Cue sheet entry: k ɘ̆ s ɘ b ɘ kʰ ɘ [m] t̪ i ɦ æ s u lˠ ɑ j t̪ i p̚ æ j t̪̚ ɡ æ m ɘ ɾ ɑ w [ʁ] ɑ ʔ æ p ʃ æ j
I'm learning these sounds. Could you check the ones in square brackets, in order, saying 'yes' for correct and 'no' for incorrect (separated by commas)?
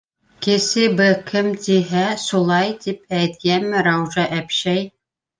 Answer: yes, no